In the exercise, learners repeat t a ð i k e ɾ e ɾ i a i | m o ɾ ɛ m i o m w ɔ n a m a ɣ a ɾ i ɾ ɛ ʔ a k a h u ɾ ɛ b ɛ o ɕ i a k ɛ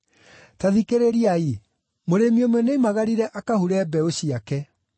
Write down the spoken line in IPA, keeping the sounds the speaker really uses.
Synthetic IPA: t a ð i k e ɾ e ɾ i a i | m o ɾ e m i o m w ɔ n e m a ɣ a ɾ i ɾ ɛ ʔ a k a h u ɾ ɛ b ɛ o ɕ i a k ɛ